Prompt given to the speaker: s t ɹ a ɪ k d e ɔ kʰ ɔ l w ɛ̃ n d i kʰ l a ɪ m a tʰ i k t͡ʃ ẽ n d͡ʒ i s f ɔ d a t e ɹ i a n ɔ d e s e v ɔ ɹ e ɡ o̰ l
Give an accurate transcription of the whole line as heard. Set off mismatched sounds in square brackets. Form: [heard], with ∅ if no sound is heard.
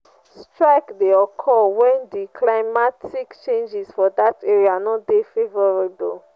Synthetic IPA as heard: s t ɹ a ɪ k d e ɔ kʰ ɔ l w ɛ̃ n d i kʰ l a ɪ m a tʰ i k t͡ʃ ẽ n d͡ʒ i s f ɔ d a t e ɹ i a n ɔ d e [f] e v ɔ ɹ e [b] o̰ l